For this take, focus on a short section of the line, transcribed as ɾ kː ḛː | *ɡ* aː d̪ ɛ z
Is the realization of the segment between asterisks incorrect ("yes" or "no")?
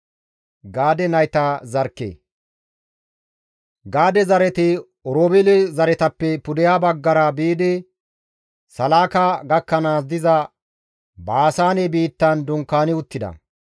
no